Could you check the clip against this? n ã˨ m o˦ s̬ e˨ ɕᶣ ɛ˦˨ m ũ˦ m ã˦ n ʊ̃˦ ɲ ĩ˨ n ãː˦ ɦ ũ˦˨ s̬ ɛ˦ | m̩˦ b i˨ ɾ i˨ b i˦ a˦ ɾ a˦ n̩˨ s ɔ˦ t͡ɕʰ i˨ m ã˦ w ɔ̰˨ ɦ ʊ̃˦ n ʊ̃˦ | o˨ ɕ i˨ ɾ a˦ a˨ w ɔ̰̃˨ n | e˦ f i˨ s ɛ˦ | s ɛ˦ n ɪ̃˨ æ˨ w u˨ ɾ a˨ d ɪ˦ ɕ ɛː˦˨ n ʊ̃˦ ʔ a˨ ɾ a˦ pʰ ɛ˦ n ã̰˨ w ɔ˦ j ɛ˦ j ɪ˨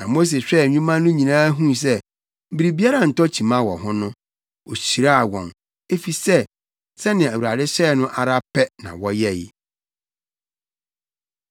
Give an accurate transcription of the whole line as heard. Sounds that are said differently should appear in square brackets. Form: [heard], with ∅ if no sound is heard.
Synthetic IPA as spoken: n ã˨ m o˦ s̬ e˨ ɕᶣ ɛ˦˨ [ɲ] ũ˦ m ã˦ n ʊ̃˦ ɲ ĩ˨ n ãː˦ ɦ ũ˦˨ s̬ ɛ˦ | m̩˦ b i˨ ɾ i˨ b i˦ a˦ ɾ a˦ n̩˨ [t] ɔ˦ t͡ɕʰ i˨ m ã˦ w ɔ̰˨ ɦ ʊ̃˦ n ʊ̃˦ | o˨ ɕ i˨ ɾ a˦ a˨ w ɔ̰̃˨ n | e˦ f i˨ s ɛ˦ | s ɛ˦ n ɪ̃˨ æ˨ w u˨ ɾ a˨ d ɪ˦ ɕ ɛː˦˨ n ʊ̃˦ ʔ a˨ ɾ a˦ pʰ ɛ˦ n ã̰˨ w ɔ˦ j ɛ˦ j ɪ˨

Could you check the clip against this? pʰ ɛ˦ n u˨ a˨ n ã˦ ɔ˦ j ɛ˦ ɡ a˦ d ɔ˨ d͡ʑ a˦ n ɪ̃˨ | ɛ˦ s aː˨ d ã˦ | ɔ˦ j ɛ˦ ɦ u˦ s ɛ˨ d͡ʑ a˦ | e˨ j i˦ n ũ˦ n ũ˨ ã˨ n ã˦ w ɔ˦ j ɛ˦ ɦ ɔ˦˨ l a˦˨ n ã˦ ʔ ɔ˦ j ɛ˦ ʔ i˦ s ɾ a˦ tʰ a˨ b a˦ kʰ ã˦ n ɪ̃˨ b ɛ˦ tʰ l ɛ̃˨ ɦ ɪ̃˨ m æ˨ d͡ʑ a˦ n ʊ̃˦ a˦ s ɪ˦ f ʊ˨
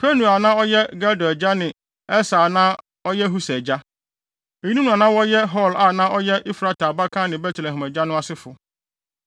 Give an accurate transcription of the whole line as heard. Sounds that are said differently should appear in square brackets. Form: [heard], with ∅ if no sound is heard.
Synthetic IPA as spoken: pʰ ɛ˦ n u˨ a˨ n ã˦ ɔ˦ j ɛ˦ ɡ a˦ d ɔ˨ d͡ʑ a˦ n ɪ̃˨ | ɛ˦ s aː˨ [n] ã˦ | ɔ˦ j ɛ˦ ɦ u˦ s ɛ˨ d͡ʑ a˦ | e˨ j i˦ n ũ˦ n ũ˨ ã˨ n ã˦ w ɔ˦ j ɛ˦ ɦ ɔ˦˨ l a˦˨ n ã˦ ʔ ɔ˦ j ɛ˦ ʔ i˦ [f] ɾ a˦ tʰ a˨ b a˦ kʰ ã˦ n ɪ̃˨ b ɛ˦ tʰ l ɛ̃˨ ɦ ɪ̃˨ m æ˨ d͡ʑ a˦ n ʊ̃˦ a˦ s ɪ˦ f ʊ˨

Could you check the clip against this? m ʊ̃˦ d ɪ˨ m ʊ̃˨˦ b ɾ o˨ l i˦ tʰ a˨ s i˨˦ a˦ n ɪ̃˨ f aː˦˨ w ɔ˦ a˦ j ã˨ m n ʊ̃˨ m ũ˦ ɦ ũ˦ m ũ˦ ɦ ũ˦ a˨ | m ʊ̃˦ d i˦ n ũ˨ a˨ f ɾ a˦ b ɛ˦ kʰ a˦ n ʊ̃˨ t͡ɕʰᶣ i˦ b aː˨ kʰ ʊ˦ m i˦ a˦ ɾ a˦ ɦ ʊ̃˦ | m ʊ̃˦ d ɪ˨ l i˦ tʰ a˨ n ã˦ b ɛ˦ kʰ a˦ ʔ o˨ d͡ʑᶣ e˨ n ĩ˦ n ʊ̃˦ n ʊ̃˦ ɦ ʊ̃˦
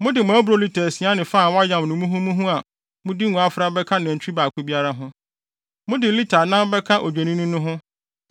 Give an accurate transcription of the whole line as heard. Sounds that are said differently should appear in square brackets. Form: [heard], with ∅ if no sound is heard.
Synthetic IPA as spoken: m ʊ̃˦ d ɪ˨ m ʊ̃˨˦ b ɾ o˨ l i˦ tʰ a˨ s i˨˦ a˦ n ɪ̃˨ f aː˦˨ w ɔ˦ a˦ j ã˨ m n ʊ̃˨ m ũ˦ ɦ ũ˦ m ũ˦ ɦ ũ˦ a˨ | m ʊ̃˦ d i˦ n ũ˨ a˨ f ɾ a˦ b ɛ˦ kʰ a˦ n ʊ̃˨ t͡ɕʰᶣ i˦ b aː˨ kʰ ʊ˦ [b] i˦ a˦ ɾ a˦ ɦ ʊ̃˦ | m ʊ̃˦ d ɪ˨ l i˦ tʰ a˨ n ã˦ b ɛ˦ kʰ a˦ ʔ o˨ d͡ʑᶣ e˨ n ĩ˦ n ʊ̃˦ n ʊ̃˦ ɦ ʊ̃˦

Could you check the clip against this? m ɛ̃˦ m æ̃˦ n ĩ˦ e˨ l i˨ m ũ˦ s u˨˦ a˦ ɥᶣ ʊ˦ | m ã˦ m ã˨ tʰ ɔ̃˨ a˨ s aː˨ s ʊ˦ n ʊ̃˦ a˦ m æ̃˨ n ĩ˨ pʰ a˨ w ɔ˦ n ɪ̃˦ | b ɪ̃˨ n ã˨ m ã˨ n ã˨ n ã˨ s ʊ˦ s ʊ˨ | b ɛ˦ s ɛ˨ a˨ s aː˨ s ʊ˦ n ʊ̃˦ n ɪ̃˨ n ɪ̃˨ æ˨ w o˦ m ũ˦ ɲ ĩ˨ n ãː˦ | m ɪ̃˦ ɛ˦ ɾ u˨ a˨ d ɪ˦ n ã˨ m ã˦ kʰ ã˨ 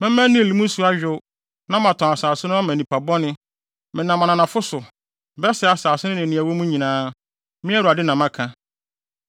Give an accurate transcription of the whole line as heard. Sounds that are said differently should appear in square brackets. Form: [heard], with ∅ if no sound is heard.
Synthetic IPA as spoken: m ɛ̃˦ m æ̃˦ n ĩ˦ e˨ l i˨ m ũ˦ s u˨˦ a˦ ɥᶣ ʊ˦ | [n] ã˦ m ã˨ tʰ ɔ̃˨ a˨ s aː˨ s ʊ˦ n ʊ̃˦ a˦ m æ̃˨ n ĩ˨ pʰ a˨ [b] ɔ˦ n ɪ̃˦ | [m] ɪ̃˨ n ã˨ m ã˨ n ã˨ n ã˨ [f] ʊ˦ s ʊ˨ | b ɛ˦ s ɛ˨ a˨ s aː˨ s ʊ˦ n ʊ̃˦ n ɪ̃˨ n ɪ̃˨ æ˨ w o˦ m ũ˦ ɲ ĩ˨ n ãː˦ | m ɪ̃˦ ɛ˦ ɾ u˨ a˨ d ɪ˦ n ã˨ m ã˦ kʰ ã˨

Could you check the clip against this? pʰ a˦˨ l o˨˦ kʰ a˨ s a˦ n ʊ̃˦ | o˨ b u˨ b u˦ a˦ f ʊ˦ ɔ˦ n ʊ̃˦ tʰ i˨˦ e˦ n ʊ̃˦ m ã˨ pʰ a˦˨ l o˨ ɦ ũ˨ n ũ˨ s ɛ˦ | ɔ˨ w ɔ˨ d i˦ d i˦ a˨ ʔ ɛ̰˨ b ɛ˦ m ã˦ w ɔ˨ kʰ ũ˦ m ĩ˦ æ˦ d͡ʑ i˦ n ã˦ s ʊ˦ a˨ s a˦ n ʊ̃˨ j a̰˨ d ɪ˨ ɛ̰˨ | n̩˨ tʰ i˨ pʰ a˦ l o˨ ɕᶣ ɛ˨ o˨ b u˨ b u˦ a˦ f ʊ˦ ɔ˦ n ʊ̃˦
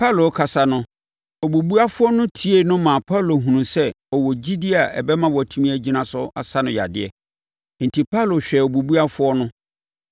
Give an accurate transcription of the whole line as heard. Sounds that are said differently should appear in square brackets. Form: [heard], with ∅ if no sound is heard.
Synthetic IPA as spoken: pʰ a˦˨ l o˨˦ kʰ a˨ s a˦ n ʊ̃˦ | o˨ b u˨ b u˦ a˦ f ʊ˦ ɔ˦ n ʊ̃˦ tʰ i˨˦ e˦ n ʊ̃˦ m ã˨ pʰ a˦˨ l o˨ ɦ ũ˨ n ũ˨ s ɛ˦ | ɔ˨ w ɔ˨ [d͡ʑ] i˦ d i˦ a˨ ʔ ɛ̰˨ b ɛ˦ m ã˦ w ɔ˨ [tʰ] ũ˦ m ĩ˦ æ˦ d͡ʑ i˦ n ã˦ s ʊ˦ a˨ s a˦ n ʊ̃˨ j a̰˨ d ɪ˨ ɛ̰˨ | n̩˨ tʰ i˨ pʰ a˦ l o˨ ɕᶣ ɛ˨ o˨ b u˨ b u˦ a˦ f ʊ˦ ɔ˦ n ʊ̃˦

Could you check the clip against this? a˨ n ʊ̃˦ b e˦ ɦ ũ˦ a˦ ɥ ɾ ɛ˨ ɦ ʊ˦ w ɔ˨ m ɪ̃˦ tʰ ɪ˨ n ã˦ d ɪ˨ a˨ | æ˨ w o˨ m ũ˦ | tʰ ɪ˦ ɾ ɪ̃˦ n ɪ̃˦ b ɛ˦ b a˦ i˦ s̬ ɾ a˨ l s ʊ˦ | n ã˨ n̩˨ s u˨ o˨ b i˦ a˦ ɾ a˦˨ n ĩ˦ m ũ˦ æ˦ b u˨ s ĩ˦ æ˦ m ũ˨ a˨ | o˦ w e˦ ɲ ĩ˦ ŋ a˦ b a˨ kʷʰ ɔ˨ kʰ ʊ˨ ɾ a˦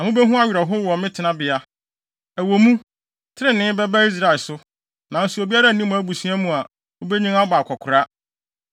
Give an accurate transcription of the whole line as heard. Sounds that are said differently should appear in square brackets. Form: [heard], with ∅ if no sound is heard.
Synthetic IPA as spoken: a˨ [m] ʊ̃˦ b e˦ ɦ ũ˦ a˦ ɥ ɾ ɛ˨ ɦ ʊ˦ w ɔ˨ m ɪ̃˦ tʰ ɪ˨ n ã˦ [b] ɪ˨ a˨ | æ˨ w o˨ m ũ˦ | tʰ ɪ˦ ɾ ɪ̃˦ n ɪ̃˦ b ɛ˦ b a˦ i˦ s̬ ɾ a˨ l s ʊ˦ | n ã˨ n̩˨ s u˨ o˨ b i˦ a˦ ɾ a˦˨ n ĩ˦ m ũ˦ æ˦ b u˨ s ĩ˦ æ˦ m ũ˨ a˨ | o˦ [b] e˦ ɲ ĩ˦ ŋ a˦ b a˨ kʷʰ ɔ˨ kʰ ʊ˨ ɾ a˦

